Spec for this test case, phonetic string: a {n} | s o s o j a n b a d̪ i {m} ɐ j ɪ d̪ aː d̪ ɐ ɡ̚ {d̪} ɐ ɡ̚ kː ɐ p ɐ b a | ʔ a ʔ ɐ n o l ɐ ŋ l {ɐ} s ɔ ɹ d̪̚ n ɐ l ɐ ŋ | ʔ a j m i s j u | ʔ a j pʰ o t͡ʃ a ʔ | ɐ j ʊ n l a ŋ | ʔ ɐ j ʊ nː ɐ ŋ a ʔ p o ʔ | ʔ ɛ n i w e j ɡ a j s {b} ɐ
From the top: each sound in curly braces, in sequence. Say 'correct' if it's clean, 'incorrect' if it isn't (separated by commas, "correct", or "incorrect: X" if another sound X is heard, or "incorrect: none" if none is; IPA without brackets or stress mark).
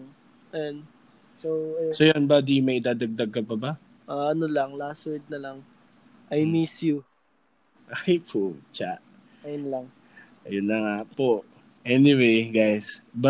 correct, correct, correct, incorrect: a, correct